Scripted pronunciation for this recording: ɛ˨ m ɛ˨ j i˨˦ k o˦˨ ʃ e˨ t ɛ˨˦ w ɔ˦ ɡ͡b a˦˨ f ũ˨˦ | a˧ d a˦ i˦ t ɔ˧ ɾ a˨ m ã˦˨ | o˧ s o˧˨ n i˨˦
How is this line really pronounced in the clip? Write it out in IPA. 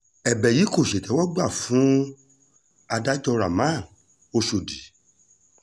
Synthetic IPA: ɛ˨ b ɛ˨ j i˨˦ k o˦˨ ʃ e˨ t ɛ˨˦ w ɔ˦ ɡ͡b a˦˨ f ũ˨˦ | a˧ d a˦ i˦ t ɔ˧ ɾ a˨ m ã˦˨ | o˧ ʃ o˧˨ d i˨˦